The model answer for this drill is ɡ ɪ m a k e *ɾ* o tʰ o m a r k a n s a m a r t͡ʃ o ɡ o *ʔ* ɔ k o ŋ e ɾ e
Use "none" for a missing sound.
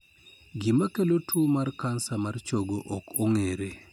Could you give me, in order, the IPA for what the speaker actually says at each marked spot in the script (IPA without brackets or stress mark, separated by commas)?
l, ʔ